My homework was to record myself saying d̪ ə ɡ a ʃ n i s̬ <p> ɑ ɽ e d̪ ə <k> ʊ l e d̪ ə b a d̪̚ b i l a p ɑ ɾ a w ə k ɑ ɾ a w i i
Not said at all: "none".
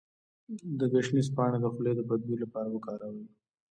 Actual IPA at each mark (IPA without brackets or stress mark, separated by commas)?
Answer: p, x